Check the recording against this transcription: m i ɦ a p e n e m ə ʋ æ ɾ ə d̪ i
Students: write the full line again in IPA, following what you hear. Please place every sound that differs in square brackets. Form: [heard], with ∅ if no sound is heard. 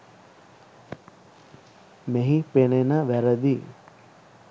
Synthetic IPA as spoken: m [e] ɦ [i] p e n e [n] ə ʋ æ ɾ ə d̪ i

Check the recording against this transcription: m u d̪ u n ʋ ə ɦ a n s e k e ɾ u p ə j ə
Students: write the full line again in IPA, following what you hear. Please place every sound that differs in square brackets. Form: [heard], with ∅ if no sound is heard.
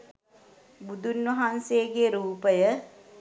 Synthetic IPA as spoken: [b] u d̪ u n ʋ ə ɦ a n s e [ɡ] e ɾ [uː] p ə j ə

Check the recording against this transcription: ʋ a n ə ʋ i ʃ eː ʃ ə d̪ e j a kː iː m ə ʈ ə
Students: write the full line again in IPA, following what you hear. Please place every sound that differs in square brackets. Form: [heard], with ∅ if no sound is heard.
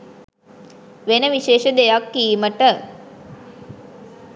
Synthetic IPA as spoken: ʋ [e] n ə ʋ i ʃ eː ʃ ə d̪ e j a kː iː m ə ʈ ə

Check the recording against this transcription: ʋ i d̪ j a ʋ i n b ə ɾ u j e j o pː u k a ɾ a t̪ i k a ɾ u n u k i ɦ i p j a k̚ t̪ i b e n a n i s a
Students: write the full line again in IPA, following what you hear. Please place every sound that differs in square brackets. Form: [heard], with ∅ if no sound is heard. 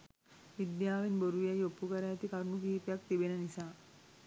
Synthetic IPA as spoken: ʋ i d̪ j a ʋ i n b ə ɾ u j [a] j o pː u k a ɾ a t̪ i k a ɾ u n u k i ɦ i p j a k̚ t̪ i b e n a n i s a

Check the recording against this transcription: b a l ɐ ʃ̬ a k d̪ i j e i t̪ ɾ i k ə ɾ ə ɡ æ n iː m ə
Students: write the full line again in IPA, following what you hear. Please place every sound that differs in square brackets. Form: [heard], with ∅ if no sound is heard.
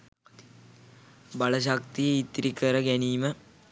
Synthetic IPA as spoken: b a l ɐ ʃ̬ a k [t̪] i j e i t̪ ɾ i k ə ɾ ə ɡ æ n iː m ə

